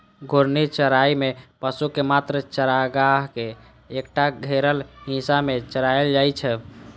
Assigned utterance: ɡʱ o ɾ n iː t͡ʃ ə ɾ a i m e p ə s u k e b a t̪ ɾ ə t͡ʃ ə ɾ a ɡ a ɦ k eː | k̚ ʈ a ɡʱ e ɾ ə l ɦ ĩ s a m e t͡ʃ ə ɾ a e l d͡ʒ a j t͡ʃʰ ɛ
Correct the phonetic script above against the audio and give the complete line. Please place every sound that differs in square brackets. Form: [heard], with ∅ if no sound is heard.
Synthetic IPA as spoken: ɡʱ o ɾ n [i] t͡ʃ ə ɾ a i m e p ə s u k e [m] a t̪ ɾ ə t͡ʃ ə ɾ a ɡ a ɦ k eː | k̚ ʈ a ɡʱ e ɾ ə l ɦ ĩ s a m e t͡ʃ ə ɾ a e l d͡ʒ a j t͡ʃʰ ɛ